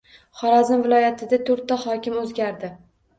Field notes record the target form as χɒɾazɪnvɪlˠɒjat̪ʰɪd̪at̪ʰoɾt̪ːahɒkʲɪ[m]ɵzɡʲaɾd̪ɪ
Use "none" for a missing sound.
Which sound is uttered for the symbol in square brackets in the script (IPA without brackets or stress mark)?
m